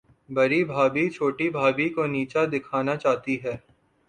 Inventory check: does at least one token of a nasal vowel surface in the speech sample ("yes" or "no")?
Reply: no